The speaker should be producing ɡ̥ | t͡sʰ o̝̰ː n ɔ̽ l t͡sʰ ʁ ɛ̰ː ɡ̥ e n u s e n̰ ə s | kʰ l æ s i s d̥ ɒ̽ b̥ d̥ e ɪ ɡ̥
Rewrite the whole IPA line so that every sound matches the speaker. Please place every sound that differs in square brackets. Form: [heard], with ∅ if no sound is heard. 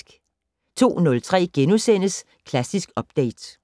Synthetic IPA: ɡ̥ | t͡sʰ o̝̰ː n ɔ̽ l t͡sʰ ʁ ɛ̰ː ɡ̥ e n u s e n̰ ə s | kʰ l æ s i s [ɡ̥] ɒ̽ b̥ d̥ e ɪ [d̥]